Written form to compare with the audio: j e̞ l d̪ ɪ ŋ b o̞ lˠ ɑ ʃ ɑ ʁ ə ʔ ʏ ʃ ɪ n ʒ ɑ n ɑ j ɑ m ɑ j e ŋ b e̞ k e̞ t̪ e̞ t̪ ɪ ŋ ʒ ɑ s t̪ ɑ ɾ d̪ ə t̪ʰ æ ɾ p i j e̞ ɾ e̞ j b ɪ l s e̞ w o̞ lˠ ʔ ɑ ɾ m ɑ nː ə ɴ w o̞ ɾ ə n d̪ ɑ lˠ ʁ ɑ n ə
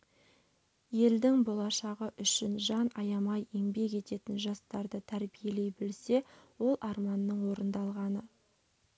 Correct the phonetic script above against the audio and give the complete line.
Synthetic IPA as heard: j e̞ l d̪ ɪ ŋ b o̞ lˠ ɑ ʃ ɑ ʁ ə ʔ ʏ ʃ ɪ n ʒ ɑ n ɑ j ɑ m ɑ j e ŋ b e̞ k e̞ t̪ e̞ t̪ ɪ n ʒ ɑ s t̪ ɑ ɾ d̪ ə t̪ʰ æ ɾ b i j e̞ l e̞ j b ɪ l s e̞ w o̞ lˠ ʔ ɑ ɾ m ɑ nː ə ɴ w o̞ ɾ ə n d̪ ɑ lˠ ʁ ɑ n ə

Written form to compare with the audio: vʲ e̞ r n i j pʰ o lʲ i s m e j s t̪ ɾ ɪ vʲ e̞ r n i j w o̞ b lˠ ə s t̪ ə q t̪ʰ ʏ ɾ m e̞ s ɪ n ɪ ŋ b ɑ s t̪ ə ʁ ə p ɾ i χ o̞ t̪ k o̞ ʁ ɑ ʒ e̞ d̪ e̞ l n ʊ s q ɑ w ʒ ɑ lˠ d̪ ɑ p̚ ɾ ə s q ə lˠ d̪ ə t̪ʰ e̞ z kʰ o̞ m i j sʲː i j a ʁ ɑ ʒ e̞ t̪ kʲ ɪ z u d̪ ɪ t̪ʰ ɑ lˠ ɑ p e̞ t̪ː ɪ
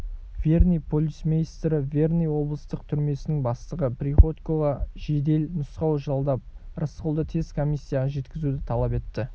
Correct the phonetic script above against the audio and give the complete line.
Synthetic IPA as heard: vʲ e̞ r n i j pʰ o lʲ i s m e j s t̪ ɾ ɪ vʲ e̞ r n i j w o̞ b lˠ ə s t̪ ə q t̪ʰ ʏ ɾ m e̞ s ɪ n ɪ ŋ b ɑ s t̪ ə ʁ ə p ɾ i χ o̞ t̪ k o̞ ʁ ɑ ʒ e̞ d̪ e̞ l n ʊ s q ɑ w ʒ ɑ lˠ d̪ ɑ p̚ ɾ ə s q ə lˠ d̪ ə t̪ʰ e̞ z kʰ o̞ m i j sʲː i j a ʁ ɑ ʒ e̞ t̪ kʲ ɪ z u d̪ ɪ t̪ʰ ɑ lˠ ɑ p e̞ t̪ː ɪ

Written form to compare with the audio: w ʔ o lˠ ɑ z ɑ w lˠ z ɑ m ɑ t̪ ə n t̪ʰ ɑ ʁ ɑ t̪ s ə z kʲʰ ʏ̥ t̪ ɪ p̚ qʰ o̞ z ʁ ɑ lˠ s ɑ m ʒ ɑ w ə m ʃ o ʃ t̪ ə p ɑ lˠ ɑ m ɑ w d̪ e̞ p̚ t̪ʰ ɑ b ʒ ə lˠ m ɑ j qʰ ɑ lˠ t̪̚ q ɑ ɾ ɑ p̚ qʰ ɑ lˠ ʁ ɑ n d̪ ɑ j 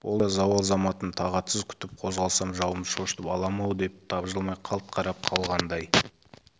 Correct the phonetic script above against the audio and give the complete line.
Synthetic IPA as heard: w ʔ o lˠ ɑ z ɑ w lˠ z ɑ m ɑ t̪ ə n t̪ʰ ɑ ʁ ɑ t̪ s ə z kʲʰ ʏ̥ t̪ ɪ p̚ qʰ o̞ z ʁ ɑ lˠ s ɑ m ʒ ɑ w ə m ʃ o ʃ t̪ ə p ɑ lˠ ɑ m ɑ w d̪ e̞ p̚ t̪ʰ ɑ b ʒ ə lˠ m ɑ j qʰ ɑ lˠ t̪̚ qʰ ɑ ɾ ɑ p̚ qʰ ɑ lˠ ʁ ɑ n d̪ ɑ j

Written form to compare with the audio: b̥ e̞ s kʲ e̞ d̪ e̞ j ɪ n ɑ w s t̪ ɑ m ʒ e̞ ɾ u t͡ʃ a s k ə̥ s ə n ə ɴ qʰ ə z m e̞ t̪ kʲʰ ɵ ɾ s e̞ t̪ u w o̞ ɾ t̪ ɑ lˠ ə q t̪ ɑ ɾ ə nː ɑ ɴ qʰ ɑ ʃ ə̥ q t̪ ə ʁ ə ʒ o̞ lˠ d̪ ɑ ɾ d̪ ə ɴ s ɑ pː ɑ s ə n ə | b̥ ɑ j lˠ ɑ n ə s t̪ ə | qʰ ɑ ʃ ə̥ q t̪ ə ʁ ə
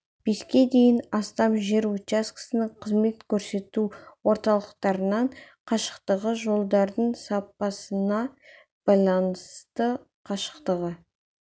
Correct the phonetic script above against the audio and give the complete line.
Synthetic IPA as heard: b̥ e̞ s kʲ e̞ d̪ e̞ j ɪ n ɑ s t̪ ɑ m ʒ e̞ ɾ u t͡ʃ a s k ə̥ s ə n ə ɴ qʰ ə z m e̞ t̪ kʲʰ ɵ ɾ s e̞ t̪ u w o̞ ɾ t̪ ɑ lˠ ə q t̪ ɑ ɾ ə n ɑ ɴ qʰ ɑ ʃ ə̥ q t̪ ə ʁ ə ʒ o̞ lˠ d̪ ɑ ɾ d̪ ə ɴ s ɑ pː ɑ s ə n ɑ | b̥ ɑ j lˠ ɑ n ə s t̪ ə | qʰ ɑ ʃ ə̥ q t̪ ə ʁ ə

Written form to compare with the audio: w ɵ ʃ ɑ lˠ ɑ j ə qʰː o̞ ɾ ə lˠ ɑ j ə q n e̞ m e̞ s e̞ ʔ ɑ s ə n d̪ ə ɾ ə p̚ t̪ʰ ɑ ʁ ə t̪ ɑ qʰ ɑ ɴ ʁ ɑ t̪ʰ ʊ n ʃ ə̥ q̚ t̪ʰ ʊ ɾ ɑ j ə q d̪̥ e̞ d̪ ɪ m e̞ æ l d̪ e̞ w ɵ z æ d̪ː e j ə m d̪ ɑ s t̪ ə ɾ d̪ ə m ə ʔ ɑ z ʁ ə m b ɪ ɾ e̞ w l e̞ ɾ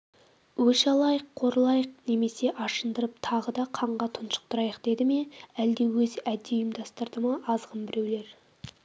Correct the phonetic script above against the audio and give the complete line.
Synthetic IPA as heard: w ɵ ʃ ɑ lˠ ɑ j ə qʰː o̞ ɾ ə lˠ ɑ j ə q n e̞ m e̞ s e̞ ʔ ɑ ʃ ə n d̪ ə ɾ ə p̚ t̪ʰ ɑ ʁ ə d̪ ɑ qʰ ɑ ɴ ʁ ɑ t̪ʰ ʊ n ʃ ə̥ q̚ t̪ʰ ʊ ɾ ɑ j ə q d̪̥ e̞ d̪ ɪ m e̞ æ l d̪ e̞ w ɵ z æ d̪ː e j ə m d̪ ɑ s t̪ ə ɾ d̪ ə m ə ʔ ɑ z ʁ ə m b ɪ ɾ e̞ w l e̞ ɾ

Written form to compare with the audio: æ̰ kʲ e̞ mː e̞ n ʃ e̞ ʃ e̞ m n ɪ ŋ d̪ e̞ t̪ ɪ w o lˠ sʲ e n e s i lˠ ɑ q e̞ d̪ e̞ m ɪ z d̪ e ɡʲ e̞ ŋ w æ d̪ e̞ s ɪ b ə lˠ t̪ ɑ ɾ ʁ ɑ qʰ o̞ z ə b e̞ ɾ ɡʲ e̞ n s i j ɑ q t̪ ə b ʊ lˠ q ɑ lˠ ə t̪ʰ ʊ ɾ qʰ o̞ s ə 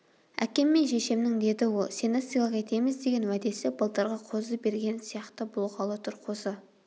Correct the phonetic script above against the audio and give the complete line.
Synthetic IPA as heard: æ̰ kʲ e̞ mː e̞ n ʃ e̞ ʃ e̞ m n ɪ ŋ d̪ e̞ d̪ ɪ w o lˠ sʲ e n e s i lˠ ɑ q e̞ t̪ e̞ m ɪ z d̪ e ɡʲ e̞ n w æ d̪ e̞ s ɪ b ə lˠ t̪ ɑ ɾ ʁ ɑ qʰ o̞ z ə b e̞ ɾ ɡʲ e̞ n s i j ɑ q t̪ ə b ʊ lˠ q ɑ lˠ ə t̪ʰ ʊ ɾ qʰ o̞ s ə

